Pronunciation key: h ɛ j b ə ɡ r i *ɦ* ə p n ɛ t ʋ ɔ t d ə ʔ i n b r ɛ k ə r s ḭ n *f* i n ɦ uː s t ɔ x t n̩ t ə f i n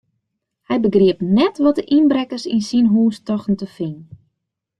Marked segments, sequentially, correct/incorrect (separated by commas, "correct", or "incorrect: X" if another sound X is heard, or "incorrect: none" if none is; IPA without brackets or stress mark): incorrect: none, incorrect: s